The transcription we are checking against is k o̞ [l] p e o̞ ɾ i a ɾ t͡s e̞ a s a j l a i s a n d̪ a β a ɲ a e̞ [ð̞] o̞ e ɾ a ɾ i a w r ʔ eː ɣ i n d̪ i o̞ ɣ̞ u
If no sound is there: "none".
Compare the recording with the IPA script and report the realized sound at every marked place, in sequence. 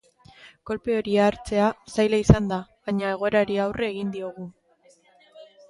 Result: l, ɣ̞

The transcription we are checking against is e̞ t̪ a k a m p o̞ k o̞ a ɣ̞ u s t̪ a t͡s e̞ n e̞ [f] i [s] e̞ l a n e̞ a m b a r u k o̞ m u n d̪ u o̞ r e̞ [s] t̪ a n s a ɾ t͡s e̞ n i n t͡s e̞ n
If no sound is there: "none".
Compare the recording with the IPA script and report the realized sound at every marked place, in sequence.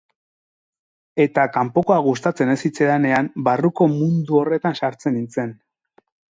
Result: s, t͡s, none

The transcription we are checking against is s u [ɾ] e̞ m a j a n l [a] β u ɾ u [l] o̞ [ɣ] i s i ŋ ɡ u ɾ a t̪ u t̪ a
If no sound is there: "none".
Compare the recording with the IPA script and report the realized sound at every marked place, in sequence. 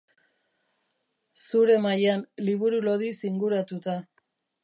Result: ɾ, i, l, ð

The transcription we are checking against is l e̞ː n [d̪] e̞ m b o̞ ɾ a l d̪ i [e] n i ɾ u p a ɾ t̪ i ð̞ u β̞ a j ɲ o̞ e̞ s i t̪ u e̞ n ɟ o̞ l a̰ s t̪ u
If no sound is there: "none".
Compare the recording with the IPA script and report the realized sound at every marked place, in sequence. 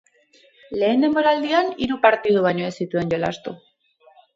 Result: d̪, a

